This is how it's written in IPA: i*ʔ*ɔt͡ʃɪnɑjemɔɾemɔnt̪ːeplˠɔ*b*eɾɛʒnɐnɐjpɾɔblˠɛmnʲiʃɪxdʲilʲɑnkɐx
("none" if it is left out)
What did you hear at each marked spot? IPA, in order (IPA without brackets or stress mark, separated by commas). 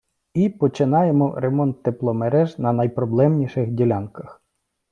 p, m